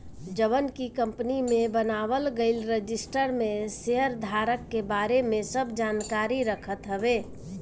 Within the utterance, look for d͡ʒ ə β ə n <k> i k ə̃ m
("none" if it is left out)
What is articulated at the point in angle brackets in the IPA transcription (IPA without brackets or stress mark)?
k